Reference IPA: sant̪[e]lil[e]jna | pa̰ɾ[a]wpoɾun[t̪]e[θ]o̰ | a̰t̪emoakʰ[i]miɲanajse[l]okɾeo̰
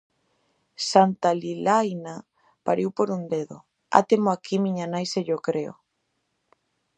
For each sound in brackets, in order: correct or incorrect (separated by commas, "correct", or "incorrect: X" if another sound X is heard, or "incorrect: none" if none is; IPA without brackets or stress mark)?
incorrect: a, incorrect: a, incorrect: i, incorrect: d̪, incorrect: ð, correct, incorrect: ʎ